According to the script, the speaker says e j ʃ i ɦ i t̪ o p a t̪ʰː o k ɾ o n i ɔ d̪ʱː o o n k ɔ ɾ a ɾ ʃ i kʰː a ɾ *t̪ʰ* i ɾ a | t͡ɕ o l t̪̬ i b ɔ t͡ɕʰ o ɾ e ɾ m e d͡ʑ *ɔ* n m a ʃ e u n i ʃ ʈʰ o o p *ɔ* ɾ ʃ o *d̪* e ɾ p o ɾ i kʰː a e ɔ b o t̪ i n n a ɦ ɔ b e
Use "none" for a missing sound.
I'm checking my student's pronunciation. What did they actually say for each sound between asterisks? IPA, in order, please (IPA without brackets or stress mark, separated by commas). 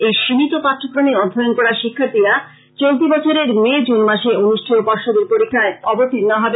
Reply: t̪, u, ɔ, d̪